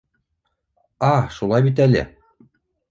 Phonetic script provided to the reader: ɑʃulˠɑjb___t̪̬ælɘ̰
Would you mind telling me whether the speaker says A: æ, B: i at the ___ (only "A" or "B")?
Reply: B